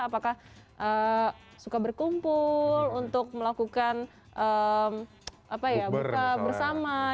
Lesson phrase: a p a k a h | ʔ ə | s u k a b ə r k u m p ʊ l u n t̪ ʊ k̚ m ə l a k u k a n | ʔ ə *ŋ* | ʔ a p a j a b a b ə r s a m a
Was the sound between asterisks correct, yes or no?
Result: no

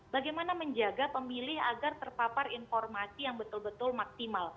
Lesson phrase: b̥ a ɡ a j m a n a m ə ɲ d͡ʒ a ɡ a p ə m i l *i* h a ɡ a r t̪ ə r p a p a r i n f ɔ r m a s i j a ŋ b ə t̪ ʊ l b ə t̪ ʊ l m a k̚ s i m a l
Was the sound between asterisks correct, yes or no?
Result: no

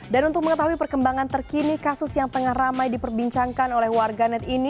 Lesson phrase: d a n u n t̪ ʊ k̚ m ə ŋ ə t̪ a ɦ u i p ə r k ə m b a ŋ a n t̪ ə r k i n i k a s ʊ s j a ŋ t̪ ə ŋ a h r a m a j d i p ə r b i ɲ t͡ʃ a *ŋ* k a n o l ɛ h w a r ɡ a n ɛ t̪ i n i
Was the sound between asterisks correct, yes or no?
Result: yes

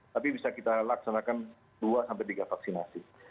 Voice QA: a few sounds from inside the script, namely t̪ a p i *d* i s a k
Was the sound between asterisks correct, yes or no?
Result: no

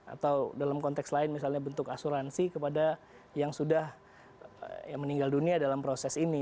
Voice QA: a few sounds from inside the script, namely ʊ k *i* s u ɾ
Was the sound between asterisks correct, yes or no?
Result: no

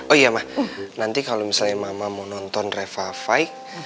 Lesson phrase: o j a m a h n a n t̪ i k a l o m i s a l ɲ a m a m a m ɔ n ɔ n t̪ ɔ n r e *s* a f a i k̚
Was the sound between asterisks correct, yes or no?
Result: no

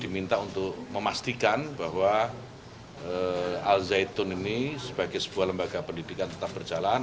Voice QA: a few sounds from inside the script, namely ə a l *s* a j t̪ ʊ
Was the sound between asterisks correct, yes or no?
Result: no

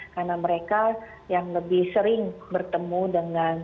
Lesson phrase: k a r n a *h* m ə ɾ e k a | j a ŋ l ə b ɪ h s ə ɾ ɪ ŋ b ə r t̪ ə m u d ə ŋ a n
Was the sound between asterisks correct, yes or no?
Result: no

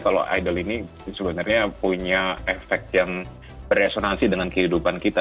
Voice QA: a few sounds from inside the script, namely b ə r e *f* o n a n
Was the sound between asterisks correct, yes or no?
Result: no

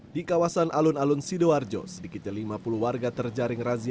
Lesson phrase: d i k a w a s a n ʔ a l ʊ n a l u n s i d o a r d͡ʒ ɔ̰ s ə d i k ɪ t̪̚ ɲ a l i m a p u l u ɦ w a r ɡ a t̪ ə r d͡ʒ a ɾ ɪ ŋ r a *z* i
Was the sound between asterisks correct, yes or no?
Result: yes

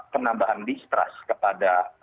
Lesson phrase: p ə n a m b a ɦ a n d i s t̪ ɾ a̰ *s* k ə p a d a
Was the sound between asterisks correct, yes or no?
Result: yes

